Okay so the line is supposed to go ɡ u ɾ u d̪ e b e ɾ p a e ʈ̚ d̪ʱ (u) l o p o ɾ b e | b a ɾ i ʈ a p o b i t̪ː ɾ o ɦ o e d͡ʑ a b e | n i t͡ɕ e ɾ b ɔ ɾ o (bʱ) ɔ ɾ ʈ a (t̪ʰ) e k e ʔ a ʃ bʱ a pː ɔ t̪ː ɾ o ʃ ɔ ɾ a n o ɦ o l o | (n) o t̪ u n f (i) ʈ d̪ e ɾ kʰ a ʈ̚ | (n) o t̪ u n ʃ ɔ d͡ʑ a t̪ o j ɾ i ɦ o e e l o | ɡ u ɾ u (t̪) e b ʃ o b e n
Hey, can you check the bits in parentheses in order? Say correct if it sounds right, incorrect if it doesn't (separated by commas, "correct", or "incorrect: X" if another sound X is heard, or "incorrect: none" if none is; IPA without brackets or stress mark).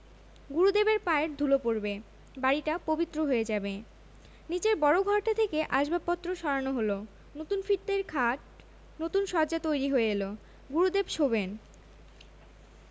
correct, incorrect: ɡʱ, correct, correct, correct, correct, incorrect: d̪